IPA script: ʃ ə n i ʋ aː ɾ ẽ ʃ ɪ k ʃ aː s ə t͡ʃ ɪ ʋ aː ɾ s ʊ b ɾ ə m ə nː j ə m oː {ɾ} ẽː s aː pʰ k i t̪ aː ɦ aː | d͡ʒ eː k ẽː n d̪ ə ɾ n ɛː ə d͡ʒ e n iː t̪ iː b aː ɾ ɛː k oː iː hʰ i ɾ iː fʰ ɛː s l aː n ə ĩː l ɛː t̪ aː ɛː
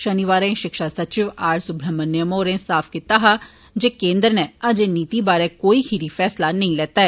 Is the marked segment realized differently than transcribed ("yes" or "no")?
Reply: no